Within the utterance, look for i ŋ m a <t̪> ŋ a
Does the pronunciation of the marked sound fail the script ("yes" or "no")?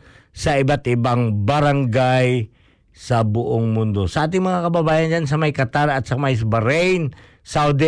yes